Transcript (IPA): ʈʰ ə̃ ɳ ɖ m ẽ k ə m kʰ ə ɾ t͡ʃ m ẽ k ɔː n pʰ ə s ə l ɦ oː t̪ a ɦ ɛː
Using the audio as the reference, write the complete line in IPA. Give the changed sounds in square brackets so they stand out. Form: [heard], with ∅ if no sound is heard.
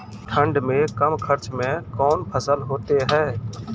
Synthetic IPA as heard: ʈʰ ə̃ ɳ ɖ m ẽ k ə m kʰ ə ɾ t͡ʃ m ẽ k ɔː n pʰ ə s ə l ɦ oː t̪ [e] ɦ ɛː